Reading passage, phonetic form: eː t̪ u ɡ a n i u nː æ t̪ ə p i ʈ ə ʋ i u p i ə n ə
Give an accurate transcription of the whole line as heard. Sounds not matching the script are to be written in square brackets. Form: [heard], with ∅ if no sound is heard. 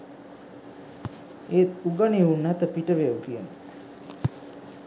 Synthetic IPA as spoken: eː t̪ u ɡ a n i u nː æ t̪ ə p i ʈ ə ʋ [e] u [k] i ə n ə